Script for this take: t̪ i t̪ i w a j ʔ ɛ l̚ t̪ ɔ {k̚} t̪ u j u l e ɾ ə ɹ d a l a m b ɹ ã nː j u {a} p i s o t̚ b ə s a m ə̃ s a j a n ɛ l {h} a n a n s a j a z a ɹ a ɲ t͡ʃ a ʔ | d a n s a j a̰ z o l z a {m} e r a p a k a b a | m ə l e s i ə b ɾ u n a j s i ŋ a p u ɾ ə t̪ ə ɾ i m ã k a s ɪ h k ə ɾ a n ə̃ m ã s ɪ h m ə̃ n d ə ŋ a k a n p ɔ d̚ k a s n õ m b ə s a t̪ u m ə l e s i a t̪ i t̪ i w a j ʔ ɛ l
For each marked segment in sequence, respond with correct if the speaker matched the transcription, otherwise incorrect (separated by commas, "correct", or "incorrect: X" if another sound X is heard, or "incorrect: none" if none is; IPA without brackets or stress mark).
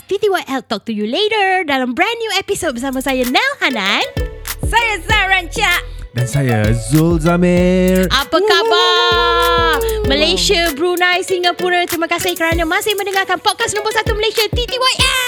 correct, incorrect: ɛ, correct, correct